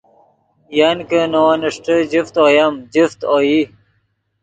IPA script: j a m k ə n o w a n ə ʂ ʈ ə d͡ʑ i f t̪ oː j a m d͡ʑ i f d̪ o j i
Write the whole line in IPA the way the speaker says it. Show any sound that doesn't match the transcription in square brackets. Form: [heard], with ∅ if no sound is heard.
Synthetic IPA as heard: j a [n] k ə n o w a n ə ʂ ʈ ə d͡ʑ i f t̪ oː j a m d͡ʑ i f [t̪] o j i